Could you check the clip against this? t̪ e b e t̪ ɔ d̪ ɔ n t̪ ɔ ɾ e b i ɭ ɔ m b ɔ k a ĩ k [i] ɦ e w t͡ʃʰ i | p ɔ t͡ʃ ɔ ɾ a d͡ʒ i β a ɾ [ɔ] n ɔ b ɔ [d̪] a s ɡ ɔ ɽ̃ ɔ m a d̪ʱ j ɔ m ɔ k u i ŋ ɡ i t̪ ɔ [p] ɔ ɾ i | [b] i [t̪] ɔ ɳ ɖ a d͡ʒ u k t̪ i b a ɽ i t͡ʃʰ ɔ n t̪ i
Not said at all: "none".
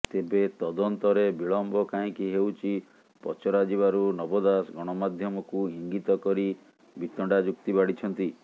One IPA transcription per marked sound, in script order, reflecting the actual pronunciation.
i, u, d̪, k, b, t̪

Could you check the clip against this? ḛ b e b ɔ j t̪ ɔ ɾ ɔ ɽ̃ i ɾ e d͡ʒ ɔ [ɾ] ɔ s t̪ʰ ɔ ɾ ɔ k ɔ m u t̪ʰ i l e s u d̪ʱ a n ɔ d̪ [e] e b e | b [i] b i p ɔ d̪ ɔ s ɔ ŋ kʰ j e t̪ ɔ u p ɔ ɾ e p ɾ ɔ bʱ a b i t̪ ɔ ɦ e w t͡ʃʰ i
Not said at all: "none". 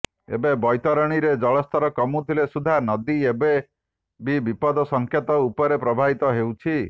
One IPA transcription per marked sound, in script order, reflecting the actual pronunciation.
ɭ, i, i

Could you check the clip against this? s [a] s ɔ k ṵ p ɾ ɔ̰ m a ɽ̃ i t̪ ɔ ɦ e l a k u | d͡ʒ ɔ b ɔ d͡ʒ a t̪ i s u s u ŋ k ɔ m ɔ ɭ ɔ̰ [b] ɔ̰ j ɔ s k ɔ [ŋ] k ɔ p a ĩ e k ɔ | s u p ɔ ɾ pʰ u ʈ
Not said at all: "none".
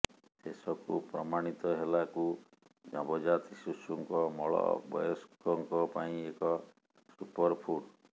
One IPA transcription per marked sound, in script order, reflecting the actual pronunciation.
e, b, ŋ

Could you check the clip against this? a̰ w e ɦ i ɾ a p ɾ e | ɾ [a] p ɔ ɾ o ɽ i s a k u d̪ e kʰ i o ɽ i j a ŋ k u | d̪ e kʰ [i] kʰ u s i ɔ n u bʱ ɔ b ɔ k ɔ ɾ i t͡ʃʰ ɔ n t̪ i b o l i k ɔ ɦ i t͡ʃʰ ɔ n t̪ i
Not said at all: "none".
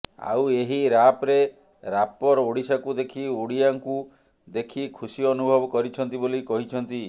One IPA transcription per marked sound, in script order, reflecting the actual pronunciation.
a, i

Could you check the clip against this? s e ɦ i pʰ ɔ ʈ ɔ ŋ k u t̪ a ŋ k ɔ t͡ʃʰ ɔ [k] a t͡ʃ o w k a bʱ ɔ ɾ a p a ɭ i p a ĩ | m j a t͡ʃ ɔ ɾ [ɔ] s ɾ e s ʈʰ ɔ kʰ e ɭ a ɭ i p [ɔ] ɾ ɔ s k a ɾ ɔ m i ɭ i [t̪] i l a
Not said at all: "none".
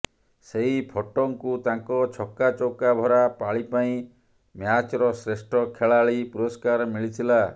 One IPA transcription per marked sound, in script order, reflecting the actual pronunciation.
k, ɔ, u, t̪ʰ

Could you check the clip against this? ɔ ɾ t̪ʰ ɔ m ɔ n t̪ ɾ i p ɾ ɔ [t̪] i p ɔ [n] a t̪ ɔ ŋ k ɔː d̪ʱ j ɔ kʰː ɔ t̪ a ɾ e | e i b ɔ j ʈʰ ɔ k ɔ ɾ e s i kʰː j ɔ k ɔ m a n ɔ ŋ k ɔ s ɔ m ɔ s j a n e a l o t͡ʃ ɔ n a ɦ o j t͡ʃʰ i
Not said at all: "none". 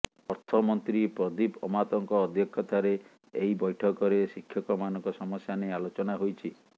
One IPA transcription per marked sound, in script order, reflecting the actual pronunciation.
d̪, m

